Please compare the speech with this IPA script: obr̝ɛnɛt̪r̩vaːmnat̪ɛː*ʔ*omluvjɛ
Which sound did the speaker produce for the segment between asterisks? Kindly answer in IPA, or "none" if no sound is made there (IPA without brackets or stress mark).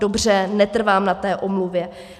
ʔ